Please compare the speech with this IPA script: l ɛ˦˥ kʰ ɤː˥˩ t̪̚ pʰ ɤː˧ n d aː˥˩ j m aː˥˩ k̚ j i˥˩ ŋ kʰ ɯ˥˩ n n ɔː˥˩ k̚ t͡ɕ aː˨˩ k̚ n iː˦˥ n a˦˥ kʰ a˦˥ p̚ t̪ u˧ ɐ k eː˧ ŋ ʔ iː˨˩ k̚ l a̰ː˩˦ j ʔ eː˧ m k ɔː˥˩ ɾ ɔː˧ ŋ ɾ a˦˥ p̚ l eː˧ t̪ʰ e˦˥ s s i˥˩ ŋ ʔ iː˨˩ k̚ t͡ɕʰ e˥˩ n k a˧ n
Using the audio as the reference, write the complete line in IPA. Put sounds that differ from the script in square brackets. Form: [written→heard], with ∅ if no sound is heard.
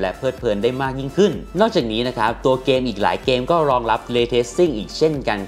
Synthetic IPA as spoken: l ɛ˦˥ [kʰ→pʰ] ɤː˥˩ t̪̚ pʰ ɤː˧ n d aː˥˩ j m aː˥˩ k̚ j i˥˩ ŋ kʰ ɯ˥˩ n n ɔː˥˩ k̚ t͡ɕ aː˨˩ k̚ n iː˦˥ n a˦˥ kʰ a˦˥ p̚ t̪ u˧ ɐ k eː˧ [ŋ→m] ʔ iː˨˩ k̚ l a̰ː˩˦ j [ʔ→k] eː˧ m k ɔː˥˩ ɾ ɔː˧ ŋ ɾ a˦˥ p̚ l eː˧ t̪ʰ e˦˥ s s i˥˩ ŋ ʔ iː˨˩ k̚ t͡ɕʰ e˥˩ n k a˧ n